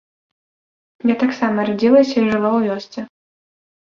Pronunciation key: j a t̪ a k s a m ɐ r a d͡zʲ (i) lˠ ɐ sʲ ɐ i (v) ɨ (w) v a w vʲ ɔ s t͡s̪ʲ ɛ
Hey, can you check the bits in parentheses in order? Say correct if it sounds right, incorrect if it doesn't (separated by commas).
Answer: correct, incorrect, incorrect